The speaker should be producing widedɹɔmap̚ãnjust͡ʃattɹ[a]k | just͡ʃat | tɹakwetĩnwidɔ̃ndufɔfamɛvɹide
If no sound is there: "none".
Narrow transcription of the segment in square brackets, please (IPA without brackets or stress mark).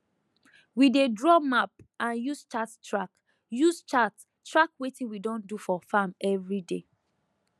a